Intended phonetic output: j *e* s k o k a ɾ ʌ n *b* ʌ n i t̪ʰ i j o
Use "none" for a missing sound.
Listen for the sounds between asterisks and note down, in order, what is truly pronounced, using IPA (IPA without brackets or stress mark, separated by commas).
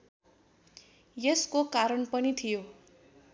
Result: e, p